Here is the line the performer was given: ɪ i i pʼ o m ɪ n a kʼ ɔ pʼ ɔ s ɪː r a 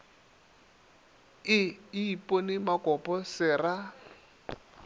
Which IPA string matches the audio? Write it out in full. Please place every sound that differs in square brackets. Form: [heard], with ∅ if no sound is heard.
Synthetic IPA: ɪ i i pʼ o [n] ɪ [m] a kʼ ɔ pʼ ɔ s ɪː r a